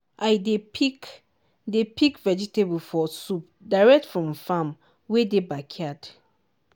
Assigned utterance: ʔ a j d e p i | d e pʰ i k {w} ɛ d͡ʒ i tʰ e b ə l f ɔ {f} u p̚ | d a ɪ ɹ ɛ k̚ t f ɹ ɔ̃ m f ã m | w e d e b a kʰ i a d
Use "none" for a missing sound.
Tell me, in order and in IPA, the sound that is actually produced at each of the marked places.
v, s

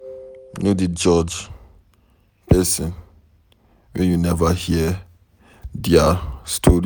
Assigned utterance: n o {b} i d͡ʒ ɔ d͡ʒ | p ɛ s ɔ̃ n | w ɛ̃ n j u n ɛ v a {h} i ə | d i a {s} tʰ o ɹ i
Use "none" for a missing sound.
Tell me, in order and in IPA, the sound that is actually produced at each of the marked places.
d, h, s

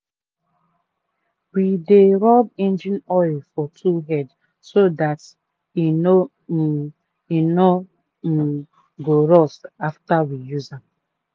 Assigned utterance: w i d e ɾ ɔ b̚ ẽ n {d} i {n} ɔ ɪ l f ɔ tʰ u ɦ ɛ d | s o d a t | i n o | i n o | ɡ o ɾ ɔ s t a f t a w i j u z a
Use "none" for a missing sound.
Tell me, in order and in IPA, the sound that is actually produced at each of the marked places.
d͡ʒ, n

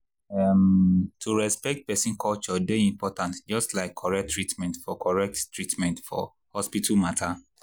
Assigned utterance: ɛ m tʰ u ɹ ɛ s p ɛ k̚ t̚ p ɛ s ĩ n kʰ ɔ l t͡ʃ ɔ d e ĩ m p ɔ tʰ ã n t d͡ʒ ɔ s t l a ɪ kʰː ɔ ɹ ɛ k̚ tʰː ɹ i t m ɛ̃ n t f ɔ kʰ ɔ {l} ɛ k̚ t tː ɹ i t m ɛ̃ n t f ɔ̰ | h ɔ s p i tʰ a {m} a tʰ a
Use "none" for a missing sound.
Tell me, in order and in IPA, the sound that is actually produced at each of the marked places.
ɹ, m

